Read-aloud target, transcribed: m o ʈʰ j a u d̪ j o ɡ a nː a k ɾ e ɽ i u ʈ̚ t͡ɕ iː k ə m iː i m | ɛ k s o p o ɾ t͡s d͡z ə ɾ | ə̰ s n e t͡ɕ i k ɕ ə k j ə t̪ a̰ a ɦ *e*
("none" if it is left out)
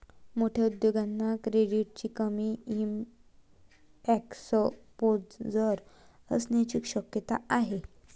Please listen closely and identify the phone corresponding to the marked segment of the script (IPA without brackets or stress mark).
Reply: e